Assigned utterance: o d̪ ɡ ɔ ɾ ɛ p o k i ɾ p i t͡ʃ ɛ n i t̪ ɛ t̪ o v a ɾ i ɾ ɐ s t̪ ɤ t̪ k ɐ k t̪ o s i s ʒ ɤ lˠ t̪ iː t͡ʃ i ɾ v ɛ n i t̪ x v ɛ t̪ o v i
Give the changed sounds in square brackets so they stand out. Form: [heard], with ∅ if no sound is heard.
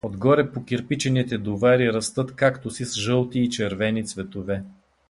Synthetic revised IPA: o d̪ ɡ ɔ ɾ ɛ p o k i ɾ p i t͡ʃ ɛ n i t̪ ɛ [d̪] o v a ɾ i ɾ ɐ s t̪ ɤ t̪ k [a] k t̪ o s i s ʒ ɤ lˠ t̪ iː t͡ʃ [ɛ] ɾ v ɛ n i t̪ [s] v ɛ t̪ o v [ɛ]